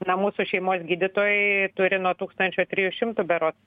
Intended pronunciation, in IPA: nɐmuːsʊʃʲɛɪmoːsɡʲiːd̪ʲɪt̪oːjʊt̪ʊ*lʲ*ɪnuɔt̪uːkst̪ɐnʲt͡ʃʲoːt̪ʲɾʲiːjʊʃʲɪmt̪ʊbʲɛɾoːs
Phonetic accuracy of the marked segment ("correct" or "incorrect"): incorrect